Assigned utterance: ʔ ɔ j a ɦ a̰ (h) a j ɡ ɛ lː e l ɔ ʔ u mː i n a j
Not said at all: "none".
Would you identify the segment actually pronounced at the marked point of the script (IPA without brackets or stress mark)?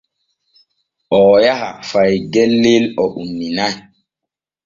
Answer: f